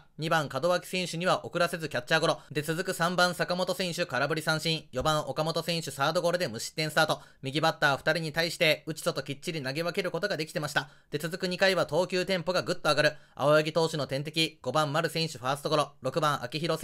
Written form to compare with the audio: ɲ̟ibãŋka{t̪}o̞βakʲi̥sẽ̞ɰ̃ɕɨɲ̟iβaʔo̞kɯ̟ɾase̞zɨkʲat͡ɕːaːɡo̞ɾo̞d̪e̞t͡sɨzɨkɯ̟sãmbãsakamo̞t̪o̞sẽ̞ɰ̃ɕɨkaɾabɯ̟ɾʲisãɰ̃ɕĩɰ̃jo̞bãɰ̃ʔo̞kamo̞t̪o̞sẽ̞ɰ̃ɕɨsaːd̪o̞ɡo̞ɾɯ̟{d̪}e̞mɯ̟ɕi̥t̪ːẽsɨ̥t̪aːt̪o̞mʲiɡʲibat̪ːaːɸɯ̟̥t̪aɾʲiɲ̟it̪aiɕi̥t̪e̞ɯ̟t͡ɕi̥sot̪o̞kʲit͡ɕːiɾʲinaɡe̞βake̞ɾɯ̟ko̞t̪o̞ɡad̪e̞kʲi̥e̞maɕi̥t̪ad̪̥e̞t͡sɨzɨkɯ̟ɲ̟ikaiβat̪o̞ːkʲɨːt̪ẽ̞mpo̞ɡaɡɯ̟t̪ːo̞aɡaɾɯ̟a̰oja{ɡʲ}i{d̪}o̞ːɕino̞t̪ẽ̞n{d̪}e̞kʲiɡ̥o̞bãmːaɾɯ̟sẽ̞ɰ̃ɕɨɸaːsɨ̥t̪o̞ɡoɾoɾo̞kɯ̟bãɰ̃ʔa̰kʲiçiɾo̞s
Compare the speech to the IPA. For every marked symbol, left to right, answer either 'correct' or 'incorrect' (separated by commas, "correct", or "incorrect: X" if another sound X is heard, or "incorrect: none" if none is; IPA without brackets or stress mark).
incorrect: d̪, correct, correct, incorrect: t̪, incorrect: t̪